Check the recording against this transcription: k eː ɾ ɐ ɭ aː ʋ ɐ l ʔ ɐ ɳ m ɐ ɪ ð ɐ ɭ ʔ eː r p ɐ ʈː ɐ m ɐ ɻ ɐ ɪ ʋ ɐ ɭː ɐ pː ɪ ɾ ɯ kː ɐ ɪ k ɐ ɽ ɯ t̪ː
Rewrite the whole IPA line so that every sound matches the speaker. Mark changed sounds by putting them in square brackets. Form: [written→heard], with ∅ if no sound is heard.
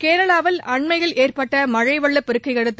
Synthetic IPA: k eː ɾ ɐ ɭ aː ʋ ɐ l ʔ ɐ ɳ m ɐ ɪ [ð→ɣ] ɐ ɭ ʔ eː r p ɐ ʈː ɐ m ɐ ɻ ɐ ɪ ʋ ɐ ɭː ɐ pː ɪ ɾ ɯ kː ɐ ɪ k ɐ ɽ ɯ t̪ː

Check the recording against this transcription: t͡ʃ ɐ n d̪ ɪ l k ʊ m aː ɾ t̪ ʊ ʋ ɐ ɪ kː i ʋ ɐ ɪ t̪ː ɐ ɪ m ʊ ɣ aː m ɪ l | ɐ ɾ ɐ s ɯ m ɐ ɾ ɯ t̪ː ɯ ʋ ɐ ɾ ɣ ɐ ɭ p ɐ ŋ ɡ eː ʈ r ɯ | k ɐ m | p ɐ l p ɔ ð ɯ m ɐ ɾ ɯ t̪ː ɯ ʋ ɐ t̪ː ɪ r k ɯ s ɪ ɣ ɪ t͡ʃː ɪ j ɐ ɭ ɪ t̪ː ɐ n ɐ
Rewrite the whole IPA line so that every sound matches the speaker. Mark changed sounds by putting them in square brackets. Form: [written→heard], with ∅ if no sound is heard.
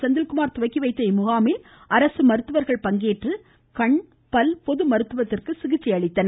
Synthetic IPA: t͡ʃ ɐ n d̪ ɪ l k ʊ m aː ɾ t̪ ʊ ʋ ɐ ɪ kː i ʋ ɐ ɪ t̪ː ɐ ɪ m ʊ ɣ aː m ɪ l | ɐ ɾ ɐ s ɯ m ɐ ɾ ɯ t̪ː ɯ ʋ ɐ ɾ ɣ ɐ ɭ p ɐ ŋ ɡ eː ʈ r ɯ | k ɐ [m→ɳ] | p ɐ l p ɔ ð ɯ m ɐ ɾ ɯ t̪ː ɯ ʋ ɐ t̪ː ɪ r k ɯ s ɪ ɣ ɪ t͡ʃː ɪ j ɐ ɭ ɪ t̪ː ɐ n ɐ

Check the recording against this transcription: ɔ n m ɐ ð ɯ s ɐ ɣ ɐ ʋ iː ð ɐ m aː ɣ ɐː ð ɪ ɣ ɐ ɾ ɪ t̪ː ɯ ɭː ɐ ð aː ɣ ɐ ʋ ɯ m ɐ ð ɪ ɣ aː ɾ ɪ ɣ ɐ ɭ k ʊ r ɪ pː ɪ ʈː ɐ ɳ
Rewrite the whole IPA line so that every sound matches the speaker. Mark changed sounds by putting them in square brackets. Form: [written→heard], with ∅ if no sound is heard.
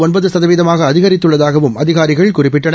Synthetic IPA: ɔ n [m→b] ɐ ð ɯ s ɐ [ɣ→ð] ɐ ʋ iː ð ɐ m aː ɣ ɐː ð ɪ ɣ ɐ ɾ ɪ t̪ː ɯ ɭː ɐ ð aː ɣ ɐ ʋ ɯ m ɐ ð ɪ ɣ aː ɾ ɪ ɣ ɐ ɭ k ʊ r ɪ pː ɪ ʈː ɐ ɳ

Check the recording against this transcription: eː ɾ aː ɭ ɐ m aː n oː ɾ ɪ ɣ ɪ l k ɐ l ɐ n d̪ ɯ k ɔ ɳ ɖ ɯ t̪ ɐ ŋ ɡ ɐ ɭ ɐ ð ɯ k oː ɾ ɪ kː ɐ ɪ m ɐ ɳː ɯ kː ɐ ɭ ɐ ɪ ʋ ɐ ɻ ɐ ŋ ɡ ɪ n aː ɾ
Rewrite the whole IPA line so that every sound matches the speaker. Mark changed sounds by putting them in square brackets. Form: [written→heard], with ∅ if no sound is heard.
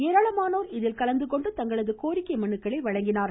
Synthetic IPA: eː ɾ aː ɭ ɐ m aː n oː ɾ ɪ [ɣ→ð] ɪ l k ɐ l ɐ n d̪ ɯ k ɔ ɳ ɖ ɯ t̪ ɐ ŋ ɡ ɐ ɭ ɐ ð ɯ k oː ɾ ɪ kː ɐ ɪ m ɐ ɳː ɯ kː ɐ ɭ ɐ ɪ ʋ ɐ ɻ ɐ ŋ ɡ ɪ n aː ɾ

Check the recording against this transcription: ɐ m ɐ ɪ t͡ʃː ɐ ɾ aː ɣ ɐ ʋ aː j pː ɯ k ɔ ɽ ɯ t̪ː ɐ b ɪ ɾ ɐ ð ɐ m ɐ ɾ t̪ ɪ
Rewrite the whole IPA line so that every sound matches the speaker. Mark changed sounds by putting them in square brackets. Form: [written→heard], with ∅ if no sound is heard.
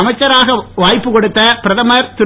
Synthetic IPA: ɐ m ɐ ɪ t͡ʃː ɐ ɾ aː ɣ ɐ ʋ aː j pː ɯ k ɔ ɽ ɯ t̪ː ɐ [b→p] ɪ ɾ ɐ ð ɐ m ɐ ɾ t̪ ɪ

